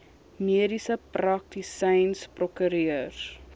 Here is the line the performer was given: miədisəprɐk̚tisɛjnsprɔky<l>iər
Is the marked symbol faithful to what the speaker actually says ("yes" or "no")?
no